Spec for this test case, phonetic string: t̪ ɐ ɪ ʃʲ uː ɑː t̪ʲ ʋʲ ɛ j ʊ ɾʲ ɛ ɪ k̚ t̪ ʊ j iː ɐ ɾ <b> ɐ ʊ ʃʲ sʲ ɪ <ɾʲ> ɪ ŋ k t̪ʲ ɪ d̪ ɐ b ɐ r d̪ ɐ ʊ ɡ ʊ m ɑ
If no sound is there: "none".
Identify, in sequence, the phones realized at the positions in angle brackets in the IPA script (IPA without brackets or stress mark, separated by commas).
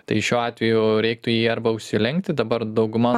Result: b, lʲ